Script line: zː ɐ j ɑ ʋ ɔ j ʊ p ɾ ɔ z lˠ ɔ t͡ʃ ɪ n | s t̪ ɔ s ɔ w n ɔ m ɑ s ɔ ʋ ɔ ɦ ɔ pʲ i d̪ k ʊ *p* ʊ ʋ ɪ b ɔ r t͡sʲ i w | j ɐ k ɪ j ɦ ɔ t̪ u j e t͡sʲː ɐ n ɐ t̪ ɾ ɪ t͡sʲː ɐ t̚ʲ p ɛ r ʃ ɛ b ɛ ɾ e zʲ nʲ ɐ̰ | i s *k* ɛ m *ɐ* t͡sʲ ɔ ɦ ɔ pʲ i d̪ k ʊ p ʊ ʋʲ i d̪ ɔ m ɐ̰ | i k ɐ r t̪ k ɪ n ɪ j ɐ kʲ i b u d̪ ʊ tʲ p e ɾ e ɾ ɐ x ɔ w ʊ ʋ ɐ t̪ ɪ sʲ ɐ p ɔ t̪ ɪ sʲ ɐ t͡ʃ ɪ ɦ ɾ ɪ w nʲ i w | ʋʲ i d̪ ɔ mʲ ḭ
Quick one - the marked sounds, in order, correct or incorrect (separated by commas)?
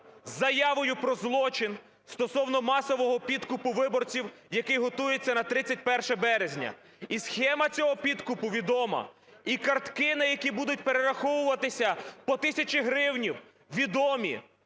correct, incorrect, correct